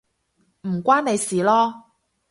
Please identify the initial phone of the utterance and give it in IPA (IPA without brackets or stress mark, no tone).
m̩